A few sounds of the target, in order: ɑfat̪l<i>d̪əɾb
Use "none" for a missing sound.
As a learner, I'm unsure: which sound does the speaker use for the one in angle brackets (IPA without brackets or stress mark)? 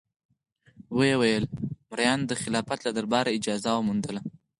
a